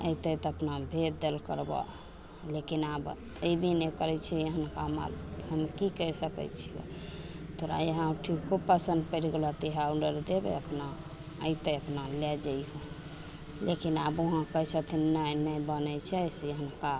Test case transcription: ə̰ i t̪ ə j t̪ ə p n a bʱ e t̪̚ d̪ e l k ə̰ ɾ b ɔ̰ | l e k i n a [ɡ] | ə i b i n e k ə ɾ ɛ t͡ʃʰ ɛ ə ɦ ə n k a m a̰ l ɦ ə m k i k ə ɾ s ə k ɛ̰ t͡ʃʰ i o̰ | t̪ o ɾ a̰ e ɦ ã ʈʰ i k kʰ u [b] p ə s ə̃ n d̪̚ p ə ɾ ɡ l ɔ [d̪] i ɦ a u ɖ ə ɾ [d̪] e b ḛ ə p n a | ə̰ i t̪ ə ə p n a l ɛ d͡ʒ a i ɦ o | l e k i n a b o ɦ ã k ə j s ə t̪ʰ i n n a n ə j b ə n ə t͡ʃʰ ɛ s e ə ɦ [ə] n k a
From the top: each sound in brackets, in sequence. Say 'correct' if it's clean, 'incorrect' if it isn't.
incorrect: b, correct, incorrect: t̪, correct, correct

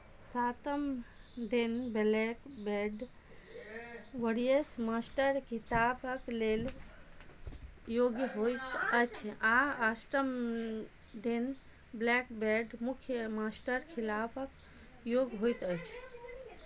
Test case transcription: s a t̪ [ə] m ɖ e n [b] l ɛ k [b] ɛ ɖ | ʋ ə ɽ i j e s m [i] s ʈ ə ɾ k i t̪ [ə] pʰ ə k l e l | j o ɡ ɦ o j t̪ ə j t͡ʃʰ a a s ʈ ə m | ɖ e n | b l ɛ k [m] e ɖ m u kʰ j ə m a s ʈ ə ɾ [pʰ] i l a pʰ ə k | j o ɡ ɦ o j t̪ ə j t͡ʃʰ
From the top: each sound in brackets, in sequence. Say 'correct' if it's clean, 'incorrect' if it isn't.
correct, correct, correct, incorrect: a, incorrect: a, incorrect: b, incorrect: kʰ

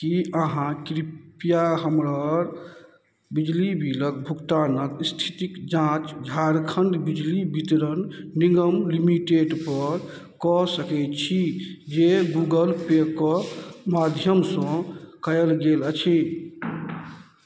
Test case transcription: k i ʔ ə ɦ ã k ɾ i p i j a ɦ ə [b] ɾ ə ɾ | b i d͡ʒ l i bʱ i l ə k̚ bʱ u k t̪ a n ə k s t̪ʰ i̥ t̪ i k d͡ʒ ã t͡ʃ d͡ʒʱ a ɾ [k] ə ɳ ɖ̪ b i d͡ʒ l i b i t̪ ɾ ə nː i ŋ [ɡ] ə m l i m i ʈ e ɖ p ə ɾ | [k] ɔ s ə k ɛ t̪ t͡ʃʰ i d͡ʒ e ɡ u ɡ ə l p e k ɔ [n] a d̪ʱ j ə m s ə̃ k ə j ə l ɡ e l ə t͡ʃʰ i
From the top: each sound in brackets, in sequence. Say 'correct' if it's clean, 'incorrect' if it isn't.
incorrect: m, incorrect: kʰ, correct, correct, incorrect: m

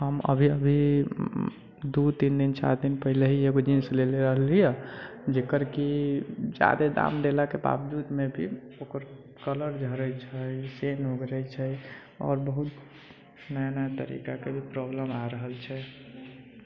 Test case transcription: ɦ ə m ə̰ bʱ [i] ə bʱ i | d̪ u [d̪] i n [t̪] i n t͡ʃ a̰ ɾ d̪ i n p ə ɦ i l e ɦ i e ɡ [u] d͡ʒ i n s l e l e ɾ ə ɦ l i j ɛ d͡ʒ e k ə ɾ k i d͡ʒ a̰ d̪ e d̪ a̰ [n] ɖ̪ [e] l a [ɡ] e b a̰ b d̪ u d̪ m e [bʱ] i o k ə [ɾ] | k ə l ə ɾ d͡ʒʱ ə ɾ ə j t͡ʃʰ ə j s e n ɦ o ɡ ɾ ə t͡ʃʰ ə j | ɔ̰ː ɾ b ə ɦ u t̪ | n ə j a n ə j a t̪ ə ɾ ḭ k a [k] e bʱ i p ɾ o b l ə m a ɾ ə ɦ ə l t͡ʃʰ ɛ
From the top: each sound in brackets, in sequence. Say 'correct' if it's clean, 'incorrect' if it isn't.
correct, incorrect: t̪, incorrect: d̪, incorrect: o, incorrect: m, correct, incorrect: k, correct, correct, correct

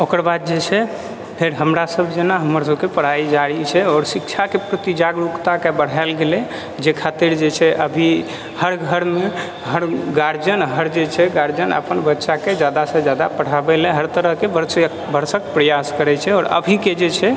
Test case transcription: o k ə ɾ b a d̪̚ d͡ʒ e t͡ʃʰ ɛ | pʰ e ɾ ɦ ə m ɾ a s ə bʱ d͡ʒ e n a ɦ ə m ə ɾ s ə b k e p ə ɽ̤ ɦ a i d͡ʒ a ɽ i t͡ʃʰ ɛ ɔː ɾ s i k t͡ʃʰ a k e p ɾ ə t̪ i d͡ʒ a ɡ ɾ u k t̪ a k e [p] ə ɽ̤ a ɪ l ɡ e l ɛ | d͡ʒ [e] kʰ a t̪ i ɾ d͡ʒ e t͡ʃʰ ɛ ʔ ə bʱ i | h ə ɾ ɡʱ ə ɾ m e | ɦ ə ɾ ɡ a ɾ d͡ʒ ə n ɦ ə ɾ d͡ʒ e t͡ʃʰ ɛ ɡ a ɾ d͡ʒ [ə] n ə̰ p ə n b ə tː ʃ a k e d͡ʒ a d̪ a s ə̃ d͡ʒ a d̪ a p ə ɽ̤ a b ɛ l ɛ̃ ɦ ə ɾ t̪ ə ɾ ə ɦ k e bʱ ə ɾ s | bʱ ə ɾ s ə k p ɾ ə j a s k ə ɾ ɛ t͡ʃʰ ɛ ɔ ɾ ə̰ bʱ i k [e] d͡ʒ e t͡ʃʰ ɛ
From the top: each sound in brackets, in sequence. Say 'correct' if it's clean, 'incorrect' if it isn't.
incorrect: b, correct, correct, correct

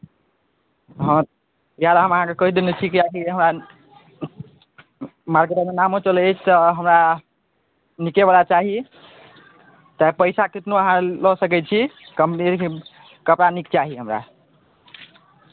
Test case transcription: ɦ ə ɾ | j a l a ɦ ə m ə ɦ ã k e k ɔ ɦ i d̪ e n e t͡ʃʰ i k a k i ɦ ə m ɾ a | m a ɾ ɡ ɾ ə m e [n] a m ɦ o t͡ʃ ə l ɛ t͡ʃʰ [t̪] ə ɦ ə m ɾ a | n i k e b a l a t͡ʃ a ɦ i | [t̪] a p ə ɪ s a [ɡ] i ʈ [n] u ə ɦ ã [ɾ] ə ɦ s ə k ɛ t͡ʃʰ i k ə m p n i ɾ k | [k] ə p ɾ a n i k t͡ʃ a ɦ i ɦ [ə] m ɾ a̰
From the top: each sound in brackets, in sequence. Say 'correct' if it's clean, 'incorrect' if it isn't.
correct, correct, correct, incorrect: k, correct, incorrect: l, correct, correct

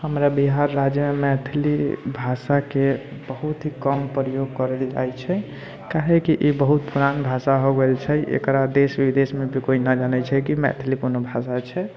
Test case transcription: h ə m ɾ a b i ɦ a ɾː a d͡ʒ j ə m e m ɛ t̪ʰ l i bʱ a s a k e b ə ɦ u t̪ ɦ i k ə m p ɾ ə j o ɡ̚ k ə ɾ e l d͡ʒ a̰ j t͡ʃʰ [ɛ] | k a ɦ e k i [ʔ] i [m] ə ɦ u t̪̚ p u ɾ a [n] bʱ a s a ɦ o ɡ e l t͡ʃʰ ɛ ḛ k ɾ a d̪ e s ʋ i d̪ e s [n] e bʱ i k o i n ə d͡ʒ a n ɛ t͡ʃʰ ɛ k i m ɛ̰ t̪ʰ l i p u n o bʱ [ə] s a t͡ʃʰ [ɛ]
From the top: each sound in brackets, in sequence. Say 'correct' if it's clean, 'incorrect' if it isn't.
correct, correct, incorrect: b, correct, incorrect: m, incorrect: a, correct

